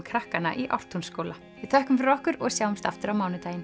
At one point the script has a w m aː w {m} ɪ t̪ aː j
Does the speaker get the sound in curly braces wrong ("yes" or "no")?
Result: yes